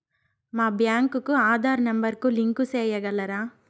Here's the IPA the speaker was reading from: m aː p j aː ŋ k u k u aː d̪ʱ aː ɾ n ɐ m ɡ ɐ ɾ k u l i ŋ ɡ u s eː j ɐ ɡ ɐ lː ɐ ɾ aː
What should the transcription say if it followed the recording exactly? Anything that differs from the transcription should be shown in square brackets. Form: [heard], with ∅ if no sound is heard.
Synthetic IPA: m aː [b] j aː ŋ k u k u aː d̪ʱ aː ɾ n ɐ m [b] ɐ ɾ k u l i ŋ [k] u s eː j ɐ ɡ ɐ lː ɐ ɾ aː